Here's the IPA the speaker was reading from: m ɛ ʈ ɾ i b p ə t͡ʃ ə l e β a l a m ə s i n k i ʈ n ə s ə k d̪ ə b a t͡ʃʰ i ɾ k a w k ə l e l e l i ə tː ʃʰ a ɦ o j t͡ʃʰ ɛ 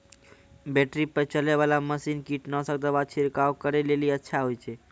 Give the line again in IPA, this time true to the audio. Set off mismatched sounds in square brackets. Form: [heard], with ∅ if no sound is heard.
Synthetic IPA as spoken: [b] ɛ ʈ ɾ i [∅] p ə t͡ʃ ə l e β a l a m ə s i n k i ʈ n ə s ə k d̪ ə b a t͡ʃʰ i ɾ k a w k ə [ɾ] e l e l i ə tː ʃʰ a ɦ o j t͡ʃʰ ɛ